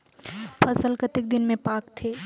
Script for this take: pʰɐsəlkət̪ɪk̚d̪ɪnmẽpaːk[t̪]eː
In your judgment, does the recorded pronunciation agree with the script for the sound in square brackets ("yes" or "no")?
no